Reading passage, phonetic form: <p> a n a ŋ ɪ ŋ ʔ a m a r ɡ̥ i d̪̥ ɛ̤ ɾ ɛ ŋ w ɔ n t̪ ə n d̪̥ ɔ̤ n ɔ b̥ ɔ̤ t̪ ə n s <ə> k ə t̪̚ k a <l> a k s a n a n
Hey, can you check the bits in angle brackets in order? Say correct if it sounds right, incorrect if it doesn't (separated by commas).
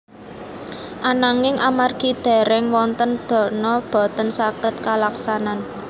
incorrect, incorrect, correct